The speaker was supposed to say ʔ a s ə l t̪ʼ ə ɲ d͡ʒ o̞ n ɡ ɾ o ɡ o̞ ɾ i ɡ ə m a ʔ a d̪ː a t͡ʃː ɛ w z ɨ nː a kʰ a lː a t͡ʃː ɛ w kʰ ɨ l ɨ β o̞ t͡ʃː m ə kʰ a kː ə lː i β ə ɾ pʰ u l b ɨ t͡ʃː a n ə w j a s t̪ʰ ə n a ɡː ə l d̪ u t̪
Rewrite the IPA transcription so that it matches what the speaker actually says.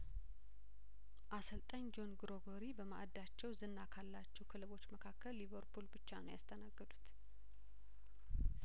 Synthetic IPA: ʔ a s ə l t̪ʼ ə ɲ d͡ʒ o̞ n ɡ ɾ o ɡ o̞ ɾ i b ə m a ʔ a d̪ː a t͡ʃː ɛ w z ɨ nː a kʰ a lː a t͡ʃː ɛ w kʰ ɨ l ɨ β o̞ t͡ʃː m ə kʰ a kː ə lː i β ə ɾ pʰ u l b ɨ t͡ʃː a n ə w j a s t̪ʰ ə n a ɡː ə d̪ u t̪